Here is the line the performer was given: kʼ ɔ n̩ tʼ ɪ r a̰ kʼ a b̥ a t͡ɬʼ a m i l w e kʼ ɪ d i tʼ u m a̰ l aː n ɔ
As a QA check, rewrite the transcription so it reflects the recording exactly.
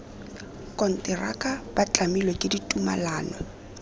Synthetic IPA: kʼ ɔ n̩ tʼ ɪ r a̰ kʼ a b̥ a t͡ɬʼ a m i l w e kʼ ɪ d i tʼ u m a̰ l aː n ɔ

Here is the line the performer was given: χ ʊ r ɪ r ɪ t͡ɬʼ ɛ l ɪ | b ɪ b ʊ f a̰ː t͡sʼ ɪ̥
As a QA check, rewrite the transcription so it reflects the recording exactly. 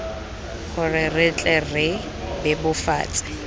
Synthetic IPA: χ ʊ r ɪ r ɪ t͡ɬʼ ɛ r ɪ | b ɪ b ʊ f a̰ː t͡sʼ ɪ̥

